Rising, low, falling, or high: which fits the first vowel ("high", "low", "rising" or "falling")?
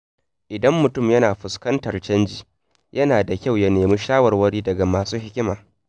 low